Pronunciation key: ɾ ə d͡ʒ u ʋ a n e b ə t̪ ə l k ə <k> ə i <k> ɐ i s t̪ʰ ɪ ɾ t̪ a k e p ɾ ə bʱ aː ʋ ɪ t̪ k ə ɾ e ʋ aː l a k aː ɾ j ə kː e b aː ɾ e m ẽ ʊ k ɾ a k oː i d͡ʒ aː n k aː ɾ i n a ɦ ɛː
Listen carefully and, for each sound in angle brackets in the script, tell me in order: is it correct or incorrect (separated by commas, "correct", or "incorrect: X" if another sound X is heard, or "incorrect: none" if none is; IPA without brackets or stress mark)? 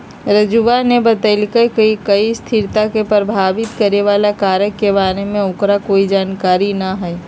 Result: correct, correct